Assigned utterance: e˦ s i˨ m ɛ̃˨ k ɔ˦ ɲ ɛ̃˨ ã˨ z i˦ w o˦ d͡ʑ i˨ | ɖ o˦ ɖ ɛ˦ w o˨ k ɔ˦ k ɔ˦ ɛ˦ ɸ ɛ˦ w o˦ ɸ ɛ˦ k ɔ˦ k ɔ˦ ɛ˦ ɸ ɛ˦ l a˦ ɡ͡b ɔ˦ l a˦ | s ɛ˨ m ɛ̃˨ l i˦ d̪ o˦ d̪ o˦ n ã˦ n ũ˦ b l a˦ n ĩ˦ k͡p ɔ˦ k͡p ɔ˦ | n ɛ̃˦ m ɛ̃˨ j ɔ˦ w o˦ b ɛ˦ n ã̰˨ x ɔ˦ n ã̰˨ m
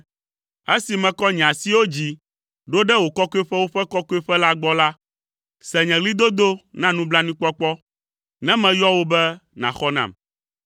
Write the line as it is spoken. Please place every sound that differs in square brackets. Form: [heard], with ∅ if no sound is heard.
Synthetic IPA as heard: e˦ s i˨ m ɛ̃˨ k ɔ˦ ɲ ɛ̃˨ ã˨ [s] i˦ w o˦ d͡ʑ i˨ | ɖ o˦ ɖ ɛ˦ w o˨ k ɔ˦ k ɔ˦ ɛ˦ ɸ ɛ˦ w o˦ ɸ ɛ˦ k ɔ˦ k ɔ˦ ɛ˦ ɸ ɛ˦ l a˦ ɡ͡b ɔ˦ l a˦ | s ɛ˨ [ɲ] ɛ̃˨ l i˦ d̪ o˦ d̪ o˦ n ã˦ n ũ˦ b l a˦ n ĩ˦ k͡p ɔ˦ k͡p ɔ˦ | n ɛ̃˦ m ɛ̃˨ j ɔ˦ w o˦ b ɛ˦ n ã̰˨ x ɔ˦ n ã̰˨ m